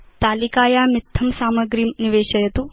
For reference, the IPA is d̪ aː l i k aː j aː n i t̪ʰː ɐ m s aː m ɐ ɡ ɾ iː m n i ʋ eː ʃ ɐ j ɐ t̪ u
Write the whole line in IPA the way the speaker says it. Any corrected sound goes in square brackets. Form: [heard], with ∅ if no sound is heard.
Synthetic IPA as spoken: [t̪] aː l i k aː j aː [m] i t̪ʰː ɐ m s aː m ɐ ɡ ɾ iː m n i ʋ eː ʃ ɐ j ɐ t̪ u